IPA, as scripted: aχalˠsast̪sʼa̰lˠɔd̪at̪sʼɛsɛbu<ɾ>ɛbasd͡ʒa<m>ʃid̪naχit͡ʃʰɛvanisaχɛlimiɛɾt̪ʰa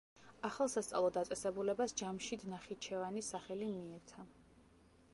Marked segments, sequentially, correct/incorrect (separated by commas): incorrect, correct